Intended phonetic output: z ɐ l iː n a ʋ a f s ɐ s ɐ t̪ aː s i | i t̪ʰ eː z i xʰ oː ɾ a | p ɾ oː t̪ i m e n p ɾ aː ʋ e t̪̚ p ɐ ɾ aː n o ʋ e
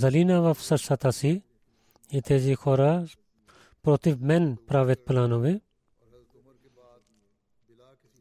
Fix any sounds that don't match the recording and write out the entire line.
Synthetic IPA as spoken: z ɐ l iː n a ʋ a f s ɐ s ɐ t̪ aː s i | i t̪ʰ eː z i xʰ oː ɾ a | p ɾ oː t̪ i m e n p ɾ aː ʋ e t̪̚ p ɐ l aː n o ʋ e